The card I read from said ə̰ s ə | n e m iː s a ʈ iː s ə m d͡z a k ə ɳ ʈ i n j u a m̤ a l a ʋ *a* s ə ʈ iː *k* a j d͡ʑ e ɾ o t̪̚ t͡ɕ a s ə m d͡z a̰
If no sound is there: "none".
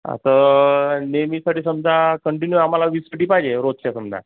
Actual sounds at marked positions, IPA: i, p

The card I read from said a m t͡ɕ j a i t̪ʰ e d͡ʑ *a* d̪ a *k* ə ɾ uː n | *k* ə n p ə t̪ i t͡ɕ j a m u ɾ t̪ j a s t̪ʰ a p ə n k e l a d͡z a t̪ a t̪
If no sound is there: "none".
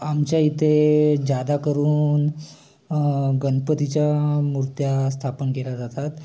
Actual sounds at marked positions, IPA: a, k, ɡ

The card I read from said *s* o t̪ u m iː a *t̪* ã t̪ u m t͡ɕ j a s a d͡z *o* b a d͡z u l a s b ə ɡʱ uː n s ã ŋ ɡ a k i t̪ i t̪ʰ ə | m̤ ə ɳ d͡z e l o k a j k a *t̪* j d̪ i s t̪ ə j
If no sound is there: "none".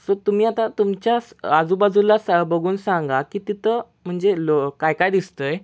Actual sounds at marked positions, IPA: s, t̪, u, none

